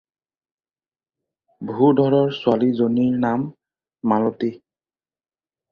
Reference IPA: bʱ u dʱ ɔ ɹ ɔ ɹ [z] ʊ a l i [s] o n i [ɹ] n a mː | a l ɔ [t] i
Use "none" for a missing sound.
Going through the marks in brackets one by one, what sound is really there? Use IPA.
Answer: s, z, ɹ, t

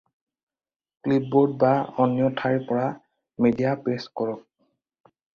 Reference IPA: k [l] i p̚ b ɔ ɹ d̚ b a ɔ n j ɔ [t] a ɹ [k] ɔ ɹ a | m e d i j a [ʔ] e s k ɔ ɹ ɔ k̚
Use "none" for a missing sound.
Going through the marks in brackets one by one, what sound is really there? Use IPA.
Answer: l, tʰ, p, p

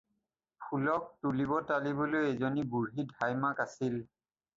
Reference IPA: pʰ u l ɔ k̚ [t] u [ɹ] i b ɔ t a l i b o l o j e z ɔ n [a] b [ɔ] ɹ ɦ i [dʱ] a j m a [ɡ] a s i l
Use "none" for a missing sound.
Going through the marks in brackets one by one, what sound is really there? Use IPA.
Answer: t, l, i, u, dʱ, k

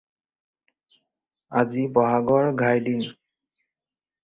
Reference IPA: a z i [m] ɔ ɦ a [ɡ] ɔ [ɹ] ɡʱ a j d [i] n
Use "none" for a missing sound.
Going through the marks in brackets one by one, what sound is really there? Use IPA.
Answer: b, ɡ, ɹ, i

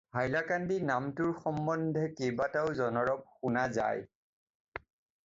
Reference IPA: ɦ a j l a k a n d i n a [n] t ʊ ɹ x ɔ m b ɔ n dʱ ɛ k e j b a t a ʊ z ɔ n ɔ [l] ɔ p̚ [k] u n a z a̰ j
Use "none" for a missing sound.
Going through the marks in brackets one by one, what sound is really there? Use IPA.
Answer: m, ɹ, x

